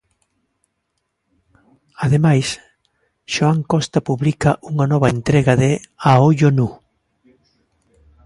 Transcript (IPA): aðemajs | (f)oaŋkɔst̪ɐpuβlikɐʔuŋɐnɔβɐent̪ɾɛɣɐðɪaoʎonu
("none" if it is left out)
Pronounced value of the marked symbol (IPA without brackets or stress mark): ʃ